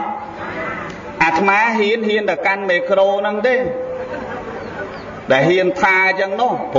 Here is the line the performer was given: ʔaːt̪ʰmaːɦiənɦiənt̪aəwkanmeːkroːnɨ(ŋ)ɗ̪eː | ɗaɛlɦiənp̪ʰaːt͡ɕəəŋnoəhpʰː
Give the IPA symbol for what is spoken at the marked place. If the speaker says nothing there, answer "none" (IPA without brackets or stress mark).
ŋ